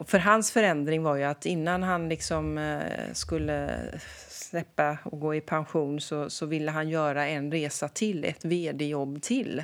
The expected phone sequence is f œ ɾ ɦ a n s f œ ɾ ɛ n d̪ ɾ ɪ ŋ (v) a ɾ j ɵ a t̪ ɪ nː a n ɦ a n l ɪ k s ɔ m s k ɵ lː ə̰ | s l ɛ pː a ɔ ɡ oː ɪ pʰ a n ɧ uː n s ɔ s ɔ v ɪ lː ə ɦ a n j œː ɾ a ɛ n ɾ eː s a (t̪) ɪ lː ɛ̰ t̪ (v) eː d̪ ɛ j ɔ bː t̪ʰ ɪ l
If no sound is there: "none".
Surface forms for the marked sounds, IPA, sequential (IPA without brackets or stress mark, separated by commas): v, t̪ʰ, v